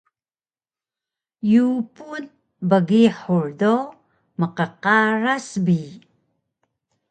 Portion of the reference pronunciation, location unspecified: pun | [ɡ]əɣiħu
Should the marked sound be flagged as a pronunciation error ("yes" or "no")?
yes